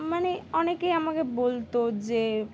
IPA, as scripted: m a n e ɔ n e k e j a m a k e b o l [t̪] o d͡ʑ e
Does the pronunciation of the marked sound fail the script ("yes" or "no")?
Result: no